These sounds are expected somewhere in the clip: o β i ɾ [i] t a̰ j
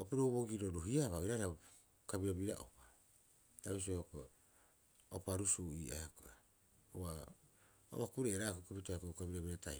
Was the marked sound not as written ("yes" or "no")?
yes